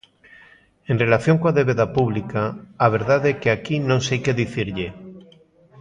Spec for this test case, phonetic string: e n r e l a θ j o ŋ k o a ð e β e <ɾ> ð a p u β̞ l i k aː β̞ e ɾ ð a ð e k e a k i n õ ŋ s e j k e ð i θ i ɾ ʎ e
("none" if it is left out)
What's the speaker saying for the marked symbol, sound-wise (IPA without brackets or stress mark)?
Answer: none